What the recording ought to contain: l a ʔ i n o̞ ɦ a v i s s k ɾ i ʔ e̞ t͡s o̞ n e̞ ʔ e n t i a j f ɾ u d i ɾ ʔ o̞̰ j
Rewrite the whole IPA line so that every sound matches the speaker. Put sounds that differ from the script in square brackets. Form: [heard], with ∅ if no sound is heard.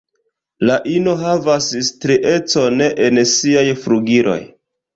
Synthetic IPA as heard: l a ʔ i n o̞ ɦ a v [a] s s [t] ɾ i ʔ e̞ t͡s o̞ n e̞ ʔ e n [s] i a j f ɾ u [ɡ] i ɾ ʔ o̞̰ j